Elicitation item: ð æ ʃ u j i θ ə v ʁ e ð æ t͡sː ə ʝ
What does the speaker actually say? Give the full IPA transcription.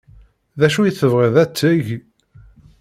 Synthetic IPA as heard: ð æ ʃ u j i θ ə v ʁ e ð æ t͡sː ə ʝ